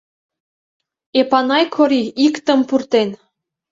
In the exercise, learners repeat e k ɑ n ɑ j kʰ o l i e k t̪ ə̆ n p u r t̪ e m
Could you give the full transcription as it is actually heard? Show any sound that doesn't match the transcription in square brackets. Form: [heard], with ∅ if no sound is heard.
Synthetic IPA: e [p] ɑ n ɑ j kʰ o [ɾ] i [i] k t̪ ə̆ [m] p u r t̪ e [n]